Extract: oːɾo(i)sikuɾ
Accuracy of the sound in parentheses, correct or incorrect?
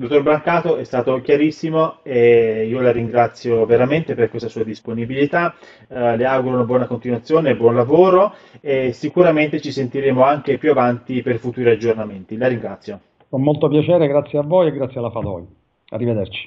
incorrect: e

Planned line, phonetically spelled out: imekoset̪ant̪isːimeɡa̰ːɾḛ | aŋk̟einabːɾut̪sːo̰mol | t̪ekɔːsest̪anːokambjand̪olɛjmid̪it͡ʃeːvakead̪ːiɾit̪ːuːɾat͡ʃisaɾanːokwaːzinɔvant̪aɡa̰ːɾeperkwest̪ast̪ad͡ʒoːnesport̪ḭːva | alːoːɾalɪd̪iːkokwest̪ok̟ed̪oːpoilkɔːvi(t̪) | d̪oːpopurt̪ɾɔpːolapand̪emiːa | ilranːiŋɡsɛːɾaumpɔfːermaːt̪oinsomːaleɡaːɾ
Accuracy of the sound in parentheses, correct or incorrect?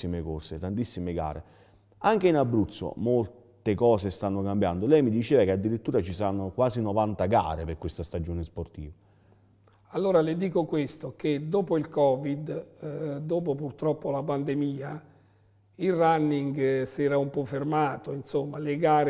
incorrect: d̪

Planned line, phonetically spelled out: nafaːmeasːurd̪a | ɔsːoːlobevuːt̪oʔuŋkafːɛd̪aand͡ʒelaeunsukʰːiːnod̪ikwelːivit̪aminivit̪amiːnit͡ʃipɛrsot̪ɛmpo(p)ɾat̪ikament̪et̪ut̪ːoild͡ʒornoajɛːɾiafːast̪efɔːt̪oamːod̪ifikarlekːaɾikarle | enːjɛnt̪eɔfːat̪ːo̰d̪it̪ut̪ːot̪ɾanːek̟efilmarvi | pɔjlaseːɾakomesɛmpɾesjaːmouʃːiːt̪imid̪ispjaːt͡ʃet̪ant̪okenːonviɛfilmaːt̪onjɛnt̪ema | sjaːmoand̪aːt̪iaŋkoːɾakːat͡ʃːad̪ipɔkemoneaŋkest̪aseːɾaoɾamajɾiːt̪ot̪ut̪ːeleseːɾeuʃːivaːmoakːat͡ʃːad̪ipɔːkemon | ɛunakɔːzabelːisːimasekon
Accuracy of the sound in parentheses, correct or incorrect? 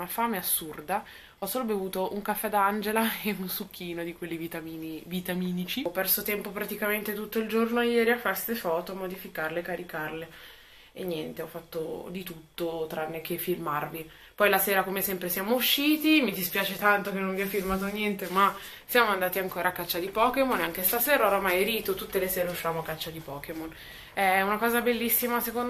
correct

